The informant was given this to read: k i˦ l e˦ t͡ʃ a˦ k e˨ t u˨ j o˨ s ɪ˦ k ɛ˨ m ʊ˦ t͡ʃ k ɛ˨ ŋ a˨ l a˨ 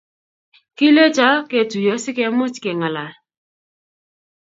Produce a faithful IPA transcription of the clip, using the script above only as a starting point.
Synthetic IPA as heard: k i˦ l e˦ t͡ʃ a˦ k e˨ t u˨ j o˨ s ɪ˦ k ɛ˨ m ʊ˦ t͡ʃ k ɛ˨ ŋ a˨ l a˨